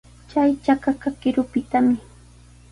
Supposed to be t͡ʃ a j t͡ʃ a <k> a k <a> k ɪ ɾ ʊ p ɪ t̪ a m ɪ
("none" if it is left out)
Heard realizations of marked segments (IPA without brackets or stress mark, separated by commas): k, a